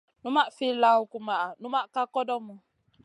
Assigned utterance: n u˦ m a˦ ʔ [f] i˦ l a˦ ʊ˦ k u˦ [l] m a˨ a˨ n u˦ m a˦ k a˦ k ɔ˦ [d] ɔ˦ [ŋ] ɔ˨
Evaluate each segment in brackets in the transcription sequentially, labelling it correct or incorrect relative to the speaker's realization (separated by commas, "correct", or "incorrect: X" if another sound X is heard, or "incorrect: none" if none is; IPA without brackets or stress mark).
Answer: correct, incorrect: none, correct, incorrect: m